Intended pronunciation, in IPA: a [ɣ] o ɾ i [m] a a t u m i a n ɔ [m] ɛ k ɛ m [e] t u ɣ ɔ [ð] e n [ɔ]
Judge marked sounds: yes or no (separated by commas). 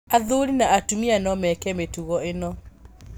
no, no, yes, yes, no, yes